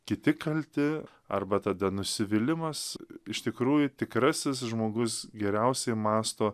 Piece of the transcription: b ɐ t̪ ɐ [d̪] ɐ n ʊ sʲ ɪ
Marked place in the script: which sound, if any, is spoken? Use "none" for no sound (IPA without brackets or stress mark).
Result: d̪